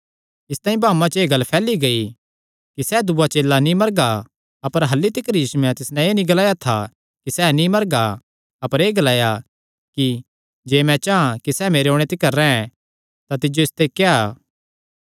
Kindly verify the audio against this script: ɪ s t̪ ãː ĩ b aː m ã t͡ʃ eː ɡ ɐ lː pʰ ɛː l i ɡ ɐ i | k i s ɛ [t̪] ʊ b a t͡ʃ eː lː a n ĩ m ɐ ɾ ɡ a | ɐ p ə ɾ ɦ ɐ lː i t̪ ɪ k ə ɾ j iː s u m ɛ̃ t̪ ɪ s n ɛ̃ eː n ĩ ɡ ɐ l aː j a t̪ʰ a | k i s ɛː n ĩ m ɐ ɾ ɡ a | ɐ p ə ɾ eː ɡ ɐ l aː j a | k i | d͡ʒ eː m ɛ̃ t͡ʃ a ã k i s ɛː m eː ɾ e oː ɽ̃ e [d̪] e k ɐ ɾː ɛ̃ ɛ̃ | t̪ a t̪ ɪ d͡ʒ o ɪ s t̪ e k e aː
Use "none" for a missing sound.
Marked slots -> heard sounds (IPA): d̪, t̪

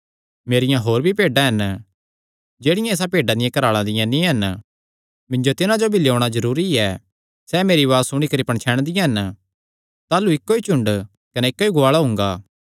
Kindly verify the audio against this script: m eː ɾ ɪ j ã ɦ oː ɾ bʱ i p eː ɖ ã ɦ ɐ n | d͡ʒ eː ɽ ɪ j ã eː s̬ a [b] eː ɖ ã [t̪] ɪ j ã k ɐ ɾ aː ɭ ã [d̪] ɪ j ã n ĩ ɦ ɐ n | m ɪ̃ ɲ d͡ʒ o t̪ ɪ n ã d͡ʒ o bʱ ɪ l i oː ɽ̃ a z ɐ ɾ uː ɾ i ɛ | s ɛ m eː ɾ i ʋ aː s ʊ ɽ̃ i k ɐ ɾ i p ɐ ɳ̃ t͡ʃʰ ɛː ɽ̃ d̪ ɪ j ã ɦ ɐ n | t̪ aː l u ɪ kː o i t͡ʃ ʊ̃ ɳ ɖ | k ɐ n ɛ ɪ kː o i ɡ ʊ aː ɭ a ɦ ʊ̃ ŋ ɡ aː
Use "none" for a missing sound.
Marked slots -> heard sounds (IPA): p, d̪, d̪

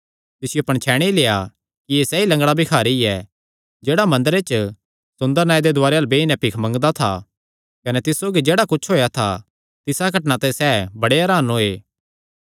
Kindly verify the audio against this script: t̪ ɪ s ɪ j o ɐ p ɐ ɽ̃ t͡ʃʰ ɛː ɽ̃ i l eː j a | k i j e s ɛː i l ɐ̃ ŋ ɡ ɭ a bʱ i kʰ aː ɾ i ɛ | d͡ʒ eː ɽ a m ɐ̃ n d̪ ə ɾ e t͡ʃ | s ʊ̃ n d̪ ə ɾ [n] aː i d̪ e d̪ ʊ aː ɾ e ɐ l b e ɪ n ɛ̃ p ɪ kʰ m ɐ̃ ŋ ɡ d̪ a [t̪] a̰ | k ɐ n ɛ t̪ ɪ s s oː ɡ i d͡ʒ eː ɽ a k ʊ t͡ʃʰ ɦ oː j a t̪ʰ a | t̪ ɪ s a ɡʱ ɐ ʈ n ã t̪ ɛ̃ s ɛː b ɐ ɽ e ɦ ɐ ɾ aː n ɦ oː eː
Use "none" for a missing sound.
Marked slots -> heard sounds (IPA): n, t̪ʰ

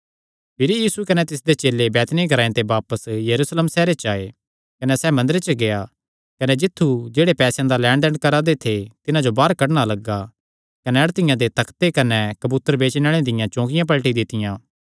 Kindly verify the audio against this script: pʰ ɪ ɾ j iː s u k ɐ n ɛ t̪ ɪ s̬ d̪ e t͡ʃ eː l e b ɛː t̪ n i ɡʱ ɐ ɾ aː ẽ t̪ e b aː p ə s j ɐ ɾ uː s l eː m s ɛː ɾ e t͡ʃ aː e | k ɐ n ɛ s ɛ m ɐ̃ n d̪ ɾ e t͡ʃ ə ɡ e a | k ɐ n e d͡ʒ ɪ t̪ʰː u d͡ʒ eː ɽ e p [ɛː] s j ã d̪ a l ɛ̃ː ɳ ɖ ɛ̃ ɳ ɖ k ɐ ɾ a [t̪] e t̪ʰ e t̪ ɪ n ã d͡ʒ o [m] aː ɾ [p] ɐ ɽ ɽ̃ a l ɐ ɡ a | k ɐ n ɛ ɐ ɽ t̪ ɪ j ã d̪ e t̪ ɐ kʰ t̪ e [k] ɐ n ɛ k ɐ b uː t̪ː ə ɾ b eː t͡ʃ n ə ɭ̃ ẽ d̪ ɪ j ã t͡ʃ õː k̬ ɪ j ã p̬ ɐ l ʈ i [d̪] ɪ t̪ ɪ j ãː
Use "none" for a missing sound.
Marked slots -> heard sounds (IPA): ɛː, d̪, b, k, k, d̪

